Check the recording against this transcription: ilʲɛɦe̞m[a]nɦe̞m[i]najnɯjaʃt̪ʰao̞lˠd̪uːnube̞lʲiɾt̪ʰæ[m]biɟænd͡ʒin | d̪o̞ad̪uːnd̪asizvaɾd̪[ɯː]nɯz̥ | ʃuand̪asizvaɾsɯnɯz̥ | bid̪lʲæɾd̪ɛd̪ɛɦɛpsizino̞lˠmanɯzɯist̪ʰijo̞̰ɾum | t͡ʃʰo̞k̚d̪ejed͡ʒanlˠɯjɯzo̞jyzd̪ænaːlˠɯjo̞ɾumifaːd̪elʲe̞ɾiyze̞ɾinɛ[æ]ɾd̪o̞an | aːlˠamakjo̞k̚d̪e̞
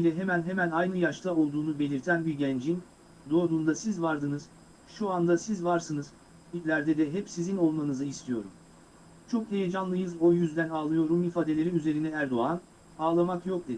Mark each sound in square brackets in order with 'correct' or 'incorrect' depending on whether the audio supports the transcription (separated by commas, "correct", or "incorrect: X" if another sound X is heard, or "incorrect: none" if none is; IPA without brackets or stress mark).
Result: incorrect: æ, incorrect: æ, incorrect: n, incorrect: ɯ, correct